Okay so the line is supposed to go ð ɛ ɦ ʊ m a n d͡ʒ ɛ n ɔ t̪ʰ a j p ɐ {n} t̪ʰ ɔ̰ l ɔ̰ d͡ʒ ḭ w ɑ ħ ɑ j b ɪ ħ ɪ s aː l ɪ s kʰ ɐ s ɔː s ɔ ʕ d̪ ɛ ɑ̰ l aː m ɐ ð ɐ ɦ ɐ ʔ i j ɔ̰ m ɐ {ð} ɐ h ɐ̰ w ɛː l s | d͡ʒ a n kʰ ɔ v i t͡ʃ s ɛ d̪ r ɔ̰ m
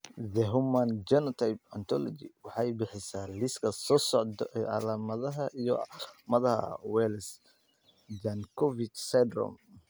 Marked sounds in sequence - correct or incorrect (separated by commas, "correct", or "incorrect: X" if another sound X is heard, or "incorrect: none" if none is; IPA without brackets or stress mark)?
correct, correct